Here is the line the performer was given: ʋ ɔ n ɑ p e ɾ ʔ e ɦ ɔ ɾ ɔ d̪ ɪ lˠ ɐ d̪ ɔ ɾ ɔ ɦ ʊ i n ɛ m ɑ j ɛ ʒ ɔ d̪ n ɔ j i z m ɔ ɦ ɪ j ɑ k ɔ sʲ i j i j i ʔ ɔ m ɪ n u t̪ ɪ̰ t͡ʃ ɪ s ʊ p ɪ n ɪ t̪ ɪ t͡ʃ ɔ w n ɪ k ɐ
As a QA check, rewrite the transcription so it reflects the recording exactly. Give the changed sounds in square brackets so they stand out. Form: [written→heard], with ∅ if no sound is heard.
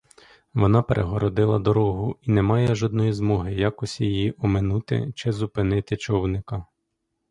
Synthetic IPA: ʋ ɔ n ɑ p e ɾ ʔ e ɦ ɔ ɾ ɔ d̪ ɪ lˠ ɐ d̪ ɔ ɾ ɔ ɦ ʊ i n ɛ m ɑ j ɛ ʒ ɔ d̪ n ɔ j i z m ɔ ɦ ɪ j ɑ k ɔ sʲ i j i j i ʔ ɔ m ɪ n u t̪ ɪ̰ t͡ʃ ɪ [s→z] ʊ p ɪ n ɪ t̪ ɪ t͡ʃ ɔ w n ɪ k ɐ